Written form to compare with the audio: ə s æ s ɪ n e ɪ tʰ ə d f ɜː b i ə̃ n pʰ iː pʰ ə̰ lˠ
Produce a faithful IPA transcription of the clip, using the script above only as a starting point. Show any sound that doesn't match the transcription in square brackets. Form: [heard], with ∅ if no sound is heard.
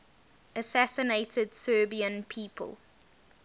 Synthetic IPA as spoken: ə s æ s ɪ n e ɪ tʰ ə d [s] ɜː b i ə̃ n pʰ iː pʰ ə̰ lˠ